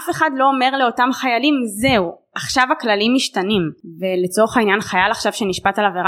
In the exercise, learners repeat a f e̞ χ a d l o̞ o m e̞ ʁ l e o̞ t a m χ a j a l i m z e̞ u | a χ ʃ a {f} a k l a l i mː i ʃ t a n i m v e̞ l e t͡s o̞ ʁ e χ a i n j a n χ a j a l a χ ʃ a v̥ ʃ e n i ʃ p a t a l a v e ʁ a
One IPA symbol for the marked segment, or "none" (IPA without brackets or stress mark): v